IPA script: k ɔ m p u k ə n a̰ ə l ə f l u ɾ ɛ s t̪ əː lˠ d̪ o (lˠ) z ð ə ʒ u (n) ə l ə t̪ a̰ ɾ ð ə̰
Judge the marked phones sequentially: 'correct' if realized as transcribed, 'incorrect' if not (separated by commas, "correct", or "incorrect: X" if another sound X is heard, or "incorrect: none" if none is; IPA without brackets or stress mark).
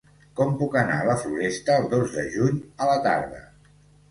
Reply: incorrect: none, incorrect: ɲ